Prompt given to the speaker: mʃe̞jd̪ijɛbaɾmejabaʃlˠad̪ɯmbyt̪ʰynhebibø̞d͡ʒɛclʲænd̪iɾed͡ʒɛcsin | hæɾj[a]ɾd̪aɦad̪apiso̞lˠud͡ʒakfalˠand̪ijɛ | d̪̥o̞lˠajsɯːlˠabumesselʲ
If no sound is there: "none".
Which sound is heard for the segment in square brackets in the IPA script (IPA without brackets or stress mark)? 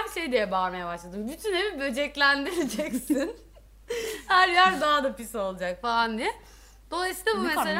æ